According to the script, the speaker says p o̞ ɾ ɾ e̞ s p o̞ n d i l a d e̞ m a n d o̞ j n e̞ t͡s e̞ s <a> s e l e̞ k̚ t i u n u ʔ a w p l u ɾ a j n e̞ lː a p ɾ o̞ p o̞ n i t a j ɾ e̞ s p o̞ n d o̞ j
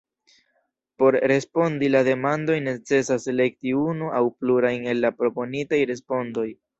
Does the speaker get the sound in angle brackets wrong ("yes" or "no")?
no